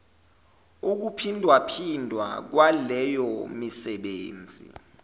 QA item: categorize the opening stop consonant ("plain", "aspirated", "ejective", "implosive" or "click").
plain